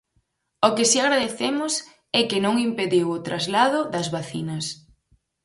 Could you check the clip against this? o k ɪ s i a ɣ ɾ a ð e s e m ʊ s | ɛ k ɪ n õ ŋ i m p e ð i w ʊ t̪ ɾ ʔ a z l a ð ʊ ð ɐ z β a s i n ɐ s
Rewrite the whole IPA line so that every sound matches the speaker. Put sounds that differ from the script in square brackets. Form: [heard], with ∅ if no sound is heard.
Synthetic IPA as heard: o k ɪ s i a ɣ ɾ a ð e [θ] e m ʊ s | ɛ k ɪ n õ ŋ i m p e ð i w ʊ t̪ ɾ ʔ a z l a ð ʊ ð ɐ z β a [θ] i n ɐ s